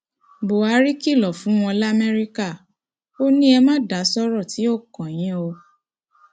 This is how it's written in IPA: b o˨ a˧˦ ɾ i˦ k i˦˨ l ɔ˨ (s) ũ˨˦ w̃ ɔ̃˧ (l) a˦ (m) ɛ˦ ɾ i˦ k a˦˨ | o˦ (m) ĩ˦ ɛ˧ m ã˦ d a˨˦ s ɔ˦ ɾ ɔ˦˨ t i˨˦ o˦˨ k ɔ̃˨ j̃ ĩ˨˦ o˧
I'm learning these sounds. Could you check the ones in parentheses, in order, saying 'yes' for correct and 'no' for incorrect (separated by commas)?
no, yes, yes, no